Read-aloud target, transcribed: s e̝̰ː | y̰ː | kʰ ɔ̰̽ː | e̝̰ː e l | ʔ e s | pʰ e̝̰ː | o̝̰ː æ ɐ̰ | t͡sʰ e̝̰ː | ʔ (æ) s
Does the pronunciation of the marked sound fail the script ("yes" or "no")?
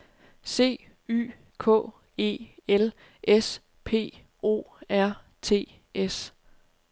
yes